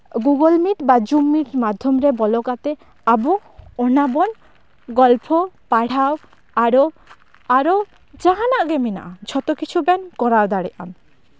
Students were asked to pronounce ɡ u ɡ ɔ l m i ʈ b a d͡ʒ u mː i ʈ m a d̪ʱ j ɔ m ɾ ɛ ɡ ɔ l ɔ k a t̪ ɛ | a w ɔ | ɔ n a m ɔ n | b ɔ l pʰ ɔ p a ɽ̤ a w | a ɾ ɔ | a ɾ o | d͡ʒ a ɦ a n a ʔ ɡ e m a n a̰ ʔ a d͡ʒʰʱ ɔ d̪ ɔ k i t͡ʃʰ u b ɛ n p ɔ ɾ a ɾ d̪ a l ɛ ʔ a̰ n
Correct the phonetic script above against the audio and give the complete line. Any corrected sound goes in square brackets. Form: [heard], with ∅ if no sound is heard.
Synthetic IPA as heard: ɡ u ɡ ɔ l m i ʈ b a d͡ʒ u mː i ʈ m a d̪ʱ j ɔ m ɾ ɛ [b] ɔ l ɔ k a t̪ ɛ | a [b] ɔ | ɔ n a [b] ɔ n | [ɡ] ɔ l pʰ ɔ p a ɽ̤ a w | a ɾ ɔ | a ɾ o | d͡ʒ a ɦ a n a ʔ ɡ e m [i] n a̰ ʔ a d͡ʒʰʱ ɔ [t̪] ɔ k i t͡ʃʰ u b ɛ n [k] ɔ ɾ a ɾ d̪ a [ɽ] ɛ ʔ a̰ n